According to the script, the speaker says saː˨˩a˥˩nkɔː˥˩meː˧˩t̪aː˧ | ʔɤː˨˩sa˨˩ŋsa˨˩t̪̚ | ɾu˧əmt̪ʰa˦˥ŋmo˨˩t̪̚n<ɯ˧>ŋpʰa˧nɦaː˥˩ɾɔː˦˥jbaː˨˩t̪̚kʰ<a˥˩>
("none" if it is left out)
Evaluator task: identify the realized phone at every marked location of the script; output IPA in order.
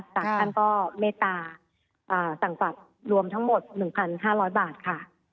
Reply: ɯ˨˩, a˥˩

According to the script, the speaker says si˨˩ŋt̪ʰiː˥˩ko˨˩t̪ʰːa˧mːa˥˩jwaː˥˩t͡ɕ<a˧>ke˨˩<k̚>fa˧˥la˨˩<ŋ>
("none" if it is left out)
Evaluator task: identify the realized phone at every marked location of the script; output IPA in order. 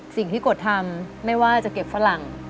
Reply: a˨˩, p̚, ŋ

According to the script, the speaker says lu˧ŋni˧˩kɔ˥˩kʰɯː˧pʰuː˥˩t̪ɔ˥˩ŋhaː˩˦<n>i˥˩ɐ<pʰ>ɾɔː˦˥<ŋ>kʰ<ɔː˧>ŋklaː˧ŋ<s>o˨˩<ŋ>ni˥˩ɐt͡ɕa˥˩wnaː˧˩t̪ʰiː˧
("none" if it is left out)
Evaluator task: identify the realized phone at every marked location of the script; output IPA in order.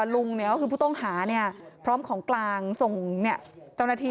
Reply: n, pʰ, m, ɔː˩˦, s, ŋ

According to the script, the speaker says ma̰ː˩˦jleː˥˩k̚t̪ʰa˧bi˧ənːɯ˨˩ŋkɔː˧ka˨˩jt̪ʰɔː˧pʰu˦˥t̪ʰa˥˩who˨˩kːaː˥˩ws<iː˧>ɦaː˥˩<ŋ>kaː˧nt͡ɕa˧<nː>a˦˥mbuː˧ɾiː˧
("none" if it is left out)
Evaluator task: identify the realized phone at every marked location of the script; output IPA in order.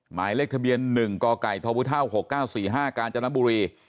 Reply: iː˨˩, none, n

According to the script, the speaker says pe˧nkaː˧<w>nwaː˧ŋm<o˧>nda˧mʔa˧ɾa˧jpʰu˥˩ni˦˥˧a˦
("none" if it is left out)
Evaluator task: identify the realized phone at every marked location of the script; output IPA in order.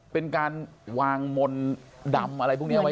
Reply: none, o˧

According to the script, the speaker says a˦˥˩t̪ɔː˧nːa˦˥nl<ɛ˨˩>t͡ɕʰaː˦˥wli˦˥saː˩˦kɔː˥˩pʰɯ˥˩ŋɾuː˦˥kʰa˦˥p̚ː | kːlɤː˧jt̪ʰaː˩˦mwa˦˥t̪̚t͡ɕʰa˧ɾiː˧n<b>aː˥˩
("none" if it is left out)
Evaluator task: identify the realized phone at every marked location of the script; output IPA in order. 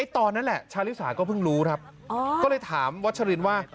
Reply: ɛ˨˩, w

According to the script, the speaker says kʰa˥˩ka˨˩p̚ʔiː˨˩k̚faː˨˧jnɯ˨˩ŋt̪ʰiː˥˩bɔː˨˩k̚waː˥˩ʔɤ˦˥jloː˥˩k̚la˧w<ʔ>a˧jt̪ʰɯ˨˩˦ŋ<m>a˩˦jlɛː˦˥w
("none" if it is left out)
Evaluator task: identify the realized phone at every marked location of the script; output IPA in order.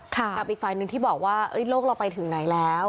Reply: p, n

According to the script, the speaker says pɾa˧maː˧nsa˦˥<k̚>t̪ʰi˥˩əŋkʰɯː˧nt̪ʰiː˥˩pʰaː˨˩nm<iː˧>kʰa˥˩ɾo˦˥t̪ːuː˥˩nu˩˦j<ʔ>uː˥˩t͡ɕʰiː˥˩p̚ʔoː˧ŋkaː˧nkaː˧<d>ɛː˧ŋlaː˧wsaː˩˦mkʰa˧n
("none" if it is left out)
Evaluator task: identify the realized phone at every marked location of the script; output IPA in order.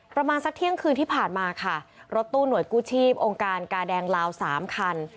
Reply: k̚, aː˧, k, d

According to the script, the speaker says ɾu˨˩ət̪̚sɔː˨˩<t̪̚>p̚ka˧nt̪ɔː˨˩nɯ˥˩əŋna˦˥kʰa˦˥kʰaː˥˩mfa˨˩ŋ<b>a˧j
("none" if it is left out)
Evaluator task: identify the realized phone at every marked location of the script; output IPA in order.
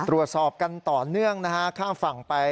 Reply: none, p

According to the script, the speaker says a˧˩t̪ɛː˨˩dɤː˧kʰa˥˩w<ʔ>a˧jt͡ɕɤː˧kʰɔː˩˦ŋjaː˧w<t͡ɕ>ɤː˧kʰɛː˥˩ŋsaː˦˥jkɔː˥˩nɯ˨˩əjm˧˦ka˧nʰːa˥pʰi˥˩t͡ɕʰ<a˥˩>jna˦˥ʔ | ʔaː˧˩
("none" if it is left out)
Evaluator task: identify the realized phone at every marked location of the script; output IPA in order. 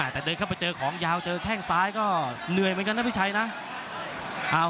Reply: p, t͡ɕ, a˧

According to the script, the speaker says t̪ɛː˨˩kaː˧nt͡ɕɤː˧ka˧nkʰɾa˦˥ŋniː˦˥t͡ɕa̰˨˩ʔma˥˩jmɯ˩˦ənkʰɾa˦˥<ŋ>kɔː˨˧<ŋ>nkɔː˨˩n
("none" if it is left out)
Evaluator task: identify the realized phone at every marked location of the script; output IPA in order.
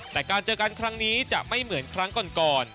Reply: ŋ, none

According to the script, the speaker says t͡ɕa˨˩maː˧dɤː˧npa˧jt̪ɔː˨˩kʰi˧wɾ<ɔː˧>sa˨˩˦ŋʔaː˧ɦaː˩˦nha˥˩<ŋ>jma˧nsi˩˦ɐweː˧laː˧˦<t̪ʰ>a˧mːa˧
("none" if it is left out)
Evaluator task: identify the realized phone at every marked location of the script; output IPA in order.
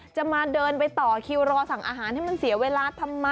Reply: ɔː˧, none, t̪ʰ

